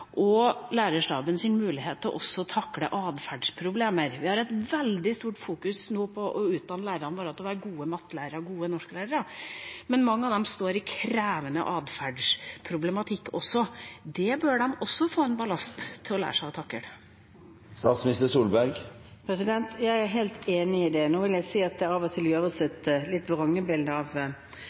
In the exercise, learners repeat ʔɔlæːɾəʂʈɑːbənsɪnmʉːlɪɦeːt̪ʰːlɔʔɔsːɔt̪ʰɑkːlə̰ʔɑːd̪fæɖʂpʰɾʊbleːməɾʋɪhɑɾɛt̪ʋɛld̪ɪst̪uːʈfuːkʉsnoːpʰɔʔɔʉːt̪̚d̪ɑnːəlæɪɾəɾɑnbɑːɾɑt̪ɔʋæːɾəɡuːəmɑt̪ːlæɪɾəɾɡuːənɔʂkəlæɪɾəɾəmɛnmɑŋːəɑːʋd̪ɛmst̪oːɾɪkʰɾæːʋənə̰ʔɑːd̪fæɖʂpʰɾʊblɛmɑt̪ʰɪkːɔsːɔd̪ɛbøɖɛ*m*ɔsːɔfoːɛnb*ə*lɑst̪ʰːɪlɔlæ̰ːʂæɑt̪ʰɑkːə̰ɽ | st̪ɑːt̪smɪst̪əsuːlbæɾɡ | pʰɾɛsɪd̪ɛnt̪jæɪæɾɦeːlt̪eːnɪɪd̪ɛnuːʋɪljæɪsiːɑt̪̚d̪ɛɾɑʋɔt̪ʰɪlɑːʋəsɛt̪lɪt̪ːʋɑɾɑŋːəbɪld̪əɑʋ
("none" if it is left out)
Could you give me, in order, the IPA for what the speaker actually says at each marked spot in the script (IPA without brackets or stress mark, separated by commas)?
m, ɑ